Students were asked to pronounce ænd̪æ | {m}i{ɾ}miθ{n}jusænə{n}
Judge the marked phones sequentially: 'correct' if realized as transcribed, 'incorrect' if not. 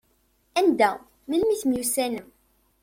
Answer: correct, incorrect, incorrect, incorrect

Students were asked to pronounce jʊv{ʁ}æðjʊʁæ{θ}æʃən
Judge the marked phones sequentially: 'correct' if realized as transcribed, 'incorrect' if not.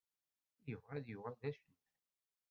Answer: correct, incorrect

